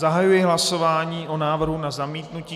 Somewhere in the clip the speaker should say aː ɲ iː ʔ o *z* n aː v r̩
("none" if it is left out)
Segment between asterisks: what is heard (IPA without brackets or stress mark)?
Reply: none